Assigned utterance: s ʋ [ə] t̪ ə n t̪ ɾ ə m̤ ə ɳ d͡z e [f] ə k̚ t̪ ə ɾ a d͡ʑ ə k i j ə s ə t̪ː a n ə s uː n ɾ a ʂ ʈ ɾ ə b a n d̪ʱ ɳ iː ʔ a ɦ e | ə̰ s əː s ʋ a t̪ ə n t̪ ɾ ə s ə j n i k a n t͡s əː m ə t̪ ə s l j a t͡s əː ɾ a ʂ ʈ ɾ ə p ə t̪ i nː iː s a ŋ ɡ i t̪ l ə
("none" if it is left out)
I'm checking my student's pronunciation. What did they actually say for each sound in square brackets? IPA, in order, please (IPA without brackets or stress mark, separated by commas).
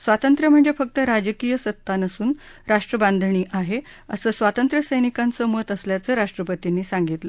a, f